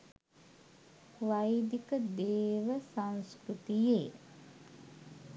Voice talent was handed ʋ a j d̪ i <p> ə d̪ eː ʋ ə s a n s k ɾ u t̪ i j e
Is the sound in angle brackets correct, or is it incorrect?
incorrect